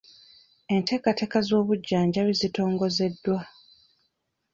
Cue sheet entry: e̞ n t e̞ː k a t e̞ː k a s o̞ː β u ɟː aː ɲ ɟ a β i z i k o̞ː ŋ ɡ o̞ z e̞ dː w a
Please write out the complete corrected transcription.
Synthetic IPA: e̞ n t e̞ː k a t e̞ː k a z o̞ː β u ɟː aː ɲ ɟ a β i z i t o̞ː ŋ ɡ o̞ z e̞ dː w a